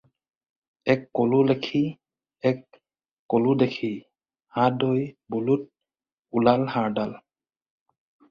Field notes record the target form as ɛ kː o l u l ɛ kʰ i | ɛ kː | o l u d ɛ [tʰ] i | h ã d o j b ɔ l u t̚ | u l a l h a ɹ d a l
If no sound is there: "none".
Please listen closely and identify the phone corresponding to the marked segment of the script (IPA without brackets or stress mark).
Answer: kʰ